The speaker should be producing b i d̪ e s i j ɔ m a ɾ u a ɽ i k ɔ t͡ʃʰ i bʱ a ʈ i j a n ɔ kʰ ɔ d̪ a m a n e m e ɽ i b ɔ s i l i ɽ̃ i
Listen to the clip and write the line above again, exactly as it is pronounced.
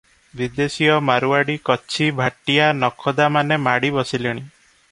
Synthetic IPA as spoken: b i d̪ e s i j ɔ m a ɾ u a ɽ i k ɔ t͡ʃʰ i bʱ a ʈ i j a n ɔ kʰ ɔ d̪ a m a n e m a ɽ i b ɔ s i l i ɽ̃ i

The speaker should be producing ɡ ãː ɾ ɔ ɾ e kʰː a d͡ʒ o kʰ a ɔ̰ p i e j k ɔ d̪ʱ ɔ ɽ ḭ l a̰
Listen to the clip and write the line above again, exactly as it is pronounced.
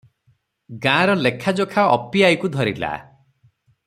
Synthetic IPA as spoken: ɡ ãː ɾ ɔ l e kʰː a d͡ʒ o kʰ a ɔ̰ p i a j k u d̪ʱ ɔ ɾ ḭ l a̰

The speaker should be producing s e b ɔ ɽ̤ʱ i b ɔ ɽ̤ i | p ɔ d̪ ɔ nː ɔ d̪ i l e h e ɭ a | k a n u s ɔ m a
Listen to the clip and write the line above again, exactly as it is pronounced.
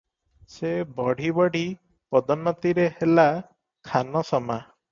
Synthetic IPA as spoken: s e b ɔ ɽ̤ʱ i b ɔ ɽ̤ i | p ɔ d̪ ɔ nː ɔ t̪ i ɾ e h e l a | kʰ a n ɔ s ɔ m a

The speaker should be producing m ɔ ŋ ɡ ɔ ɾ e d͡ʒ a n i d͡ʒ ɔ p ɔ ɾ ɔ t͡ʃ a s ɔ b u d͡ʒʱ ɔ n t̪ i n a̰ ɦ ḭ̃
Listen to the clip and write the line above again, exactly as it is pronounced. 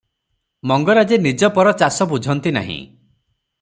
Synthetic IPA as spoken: m ɔ ŋ ɡ ɔ ɾ a d͡ʒ e n i d͡ʒ ɔ p ɔ ɾ ɔ t͡ʃ a s ɔ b u d͡ʒʱ ɔ n t̪ i n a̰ ɦ ḭ̃

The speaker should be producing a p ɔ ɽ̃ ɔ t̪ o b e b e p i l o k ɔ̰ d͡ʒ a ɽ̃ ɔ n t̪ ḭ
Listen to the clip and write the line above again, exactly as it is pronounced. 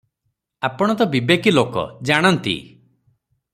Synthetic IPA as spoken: a p ɔ ɽ̃ ɔ t̪ ɔ b i b e k i l o k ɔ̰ d͡ʒ a ɽ̃ ɔ n t̪ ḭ

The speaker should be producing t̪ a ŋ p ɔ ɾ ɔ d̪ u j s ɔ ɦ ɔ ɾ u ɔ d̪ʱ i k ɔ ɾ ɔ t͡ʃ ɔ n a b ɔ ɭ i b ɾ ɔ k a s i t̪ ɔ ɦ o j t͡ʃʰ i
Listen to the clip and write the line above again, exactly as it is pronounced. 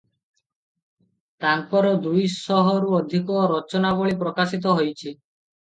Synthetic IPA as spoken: t̪ a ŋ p ɔ ɾ ɔ d̪ u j s ɔ ɦ ɔ ɾ u ɔ d̪ʱ i k ɔ ɾ ɔ t͡ʃ ɔ n a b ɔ ɭ i p ɾ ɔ k a s i t̪ ɔ ɦ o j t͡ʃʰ i

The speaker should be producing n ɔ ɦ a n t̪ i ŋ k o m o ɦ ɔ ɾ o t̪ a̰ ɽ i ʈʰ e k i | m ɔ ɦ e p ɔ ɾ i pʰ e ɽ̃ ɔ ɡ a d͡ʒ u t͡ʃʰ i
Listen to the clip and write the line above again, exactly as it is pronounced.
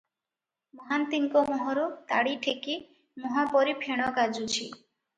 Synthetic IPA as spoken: m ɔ ɦ a n t̪ i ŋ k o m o ɦ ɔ ɾ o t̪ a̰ ɽ i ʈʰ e k i | m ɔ ɦ a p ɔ ɾ i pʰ e ɽ̃ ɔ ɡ a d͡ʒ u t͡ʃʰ i

